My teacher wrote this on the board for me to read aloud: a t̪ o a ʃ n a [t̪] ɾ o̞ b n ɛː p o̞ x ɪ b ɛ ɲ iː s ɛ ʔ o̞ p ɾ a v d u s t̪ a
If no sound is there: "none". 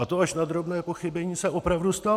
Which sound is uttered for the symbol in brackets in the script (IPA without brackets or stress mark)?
d̪